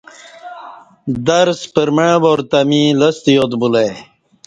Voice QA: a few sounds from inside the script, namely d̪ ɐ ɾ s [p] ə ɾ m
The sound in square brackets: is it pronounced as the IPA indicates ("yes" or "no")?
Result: yes